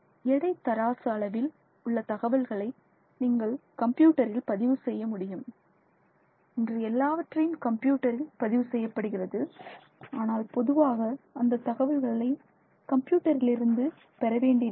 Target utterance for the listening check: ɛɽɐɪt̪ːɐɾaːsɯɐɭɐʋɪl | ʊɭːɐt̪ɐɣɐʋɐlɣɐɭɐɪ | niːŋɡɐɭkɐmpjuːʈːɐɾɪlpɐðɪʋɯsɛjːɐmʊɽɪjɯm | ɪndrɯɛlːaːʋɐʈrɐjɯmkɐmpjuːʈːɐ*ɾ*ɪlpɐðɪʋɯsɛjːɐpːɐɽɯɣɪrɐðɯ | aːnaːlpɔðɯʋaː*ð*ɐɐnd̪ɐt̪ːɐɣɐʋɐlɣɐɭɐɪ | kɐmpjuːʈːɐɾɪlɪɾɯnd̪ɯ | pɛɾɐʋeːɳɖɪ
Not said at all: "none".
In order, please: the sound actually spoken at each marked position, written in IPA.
ɾ, ɣ

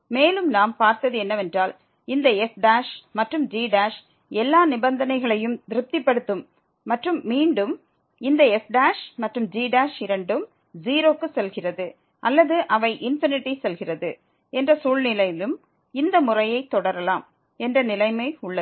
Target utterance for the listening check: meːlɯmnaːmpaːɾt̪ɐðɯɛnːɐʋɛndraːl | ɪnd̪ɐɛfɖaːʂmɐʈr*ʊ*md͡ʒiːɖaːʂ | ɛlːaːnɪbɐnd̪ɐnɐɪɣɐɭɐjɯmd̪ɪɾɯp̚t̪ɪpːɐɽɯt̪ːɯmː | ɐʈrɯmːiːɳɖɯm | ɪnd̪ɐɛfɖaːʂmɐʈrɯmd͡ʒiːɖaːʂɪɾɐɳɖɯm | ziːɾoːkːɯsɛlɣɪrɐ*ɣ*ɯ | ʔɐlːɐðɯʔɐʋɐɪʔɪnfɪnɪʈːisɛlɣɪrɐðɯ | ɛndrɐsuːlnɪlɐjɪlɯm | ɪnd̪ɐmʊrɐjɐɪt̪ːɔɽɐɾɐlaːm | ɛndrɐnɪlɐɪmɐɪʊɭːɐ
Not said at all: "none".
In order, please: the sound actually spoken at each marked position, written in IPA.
ɯ, ð

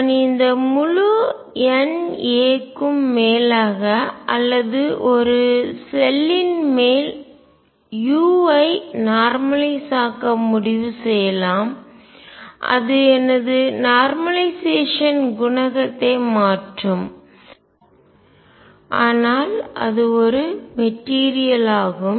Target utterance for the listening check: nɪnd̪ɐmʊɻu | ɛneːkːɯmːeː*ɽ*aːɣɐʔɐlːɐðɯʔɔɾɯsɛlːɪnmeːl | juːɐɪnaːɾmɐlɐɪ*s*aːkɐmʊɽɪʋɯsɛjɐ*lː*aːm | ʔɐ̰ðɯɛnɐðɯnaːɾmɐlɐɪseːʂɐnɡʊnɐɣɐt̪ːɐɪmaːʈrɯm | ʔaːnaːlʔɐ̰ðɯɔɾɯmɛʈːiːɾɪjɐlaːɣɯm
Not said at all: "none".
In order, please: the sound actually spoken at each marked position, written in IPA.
l, s, l

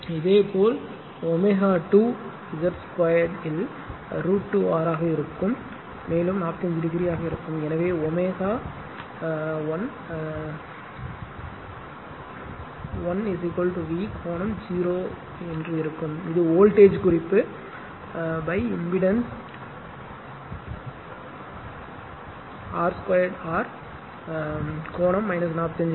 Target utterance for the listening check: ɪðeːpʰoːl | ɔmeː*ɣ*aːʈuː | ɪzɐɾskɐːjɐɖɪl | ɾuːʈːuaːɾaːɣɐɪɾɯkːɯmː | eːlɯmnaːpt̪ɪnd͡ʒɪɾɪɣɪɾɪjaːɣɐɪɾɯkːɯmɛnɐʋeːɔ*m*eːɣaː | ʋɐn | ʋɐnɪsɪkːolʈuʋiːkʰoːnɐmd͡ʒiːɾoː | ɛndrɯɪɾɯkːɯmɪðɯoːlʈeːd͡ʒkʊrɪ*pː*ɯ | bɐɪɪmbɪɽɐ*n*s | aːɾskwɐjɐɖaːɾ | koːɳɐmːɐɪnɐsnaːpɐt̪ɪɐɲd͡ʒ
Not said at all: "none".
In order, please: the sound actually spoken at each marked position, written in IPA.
ɣ, m, pː, n

